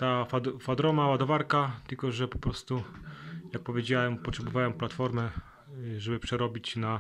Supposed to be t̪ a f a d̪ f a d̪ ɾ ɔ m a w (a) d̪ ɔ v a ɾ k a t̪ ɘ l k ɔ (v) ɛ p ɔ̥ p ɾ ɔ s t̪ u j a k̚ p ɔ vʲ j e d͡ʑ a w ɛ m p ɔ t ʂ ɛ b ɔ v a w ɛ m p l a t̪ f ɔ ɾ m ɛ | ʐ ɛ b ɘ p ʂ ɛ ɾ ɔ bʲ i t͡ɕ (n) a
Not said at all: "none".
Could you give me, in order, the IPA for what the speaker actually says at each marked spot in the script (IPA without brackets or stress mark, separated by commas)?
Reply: a, ʐ, n